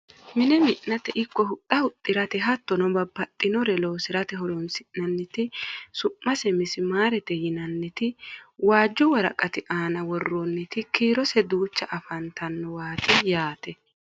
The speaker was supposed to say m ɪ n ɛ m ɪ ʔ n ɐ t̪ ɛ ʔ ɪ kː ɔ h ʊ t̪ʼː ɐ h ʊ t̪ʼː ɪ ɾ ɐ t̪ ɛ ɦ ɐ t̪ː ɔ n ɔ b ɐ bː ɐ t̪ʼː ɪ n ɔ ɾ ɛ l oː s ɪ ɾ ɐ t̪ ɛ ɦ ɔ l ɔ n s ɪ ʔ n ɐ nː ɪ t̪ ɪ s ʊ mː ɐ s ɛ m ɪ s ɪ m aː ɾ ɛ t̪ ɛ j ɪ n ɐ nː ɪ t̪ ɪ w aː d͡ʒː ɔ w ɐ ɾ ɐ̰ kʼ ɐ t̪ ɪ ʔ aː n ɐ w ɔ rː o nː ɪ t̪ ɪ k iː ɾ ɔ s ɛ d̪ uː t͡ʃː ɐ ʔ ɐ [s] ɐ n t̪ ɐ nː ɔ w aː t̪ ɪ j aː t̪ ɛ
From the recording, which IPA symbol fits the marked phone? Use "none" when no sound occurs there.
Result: f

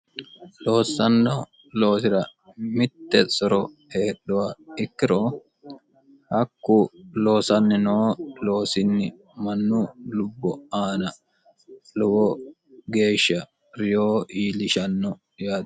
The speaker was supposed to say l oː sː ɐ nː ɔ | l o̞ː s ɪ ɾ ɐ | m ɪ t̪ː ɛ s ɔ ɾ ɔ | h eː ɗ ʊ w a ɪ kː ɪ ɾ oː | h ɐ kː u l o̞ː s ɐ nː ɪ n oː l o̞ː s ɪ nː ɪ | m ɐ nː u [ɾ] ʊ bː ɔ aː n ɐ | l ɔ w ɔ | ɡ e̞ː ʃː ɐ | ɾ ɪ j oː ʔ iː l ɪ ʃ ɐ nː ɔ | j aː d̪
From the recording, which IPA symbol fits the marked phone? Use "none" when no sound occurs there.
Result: l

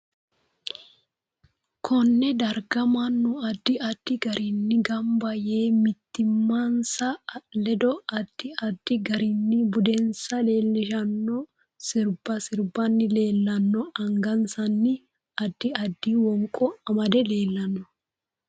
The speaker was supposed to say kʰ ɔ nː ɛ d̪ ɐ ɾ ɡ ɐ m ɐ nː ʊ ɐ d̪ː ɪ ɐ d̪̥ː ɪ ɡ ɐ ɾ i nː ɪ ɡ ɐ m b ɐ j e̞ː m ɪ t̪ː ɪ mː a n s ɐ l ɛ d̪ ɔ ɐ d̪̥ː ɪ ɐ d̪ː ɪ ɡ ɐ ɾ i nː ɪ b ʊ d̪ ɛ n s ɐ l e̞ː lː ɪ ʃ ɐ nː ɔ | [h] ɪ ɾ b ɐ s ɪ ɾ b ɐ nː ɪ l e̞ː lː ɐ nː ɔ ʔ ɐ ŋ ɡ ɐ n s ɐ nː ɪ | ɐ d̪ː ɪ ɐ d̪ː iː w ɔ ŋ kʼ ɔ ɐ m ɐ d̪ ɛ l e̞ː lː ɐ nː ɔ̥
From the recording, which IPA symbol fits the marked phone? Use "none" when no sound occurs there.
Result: s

